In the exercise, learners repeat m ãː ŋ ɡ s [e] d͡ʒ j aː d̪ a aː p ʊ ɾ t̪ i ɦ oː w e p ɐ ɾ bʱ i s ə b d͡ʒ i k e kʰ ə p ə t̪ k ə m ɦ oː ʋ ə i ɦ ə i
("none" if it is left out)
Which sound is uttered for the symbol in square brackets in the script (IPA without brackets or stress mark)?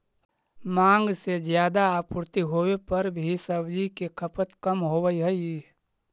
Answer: e